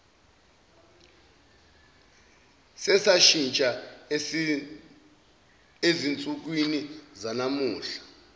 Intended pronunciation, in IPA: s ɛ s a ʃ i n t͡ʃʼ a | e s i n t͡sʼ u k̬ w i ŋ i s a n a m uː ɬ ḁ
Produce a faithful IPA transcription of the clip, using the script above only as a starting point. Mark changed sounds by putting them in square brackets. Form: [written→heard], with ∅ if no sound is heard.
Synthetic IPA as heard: s ɛ s a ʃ i n t͡ʃʼ a | e [s→z] i n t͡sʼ u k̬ w i [ŋ→n] i [s→z] a n a m uː ɬ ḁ